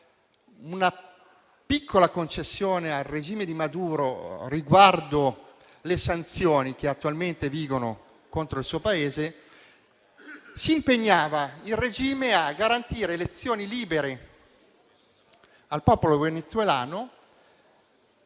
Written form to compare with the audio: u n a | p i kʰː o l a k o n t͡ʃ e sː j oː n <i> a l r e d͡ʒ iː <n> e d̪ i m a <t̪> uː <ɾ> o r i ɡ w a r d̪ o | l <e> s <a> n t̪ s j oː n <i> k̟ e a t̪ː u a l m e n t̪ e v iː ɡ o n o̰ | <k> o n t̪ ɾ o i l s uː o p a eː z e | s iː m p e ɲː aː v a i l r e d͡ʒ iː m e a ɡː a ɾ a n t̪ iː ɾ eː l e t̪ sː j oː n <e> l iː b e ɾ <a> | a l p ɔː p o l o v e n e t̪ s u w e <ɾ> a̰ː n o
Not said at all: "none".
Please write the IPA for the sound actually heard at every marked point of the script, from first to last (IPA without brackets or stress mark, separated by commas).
e, m, d̪, ɾ, e, a, i, k, i, e, l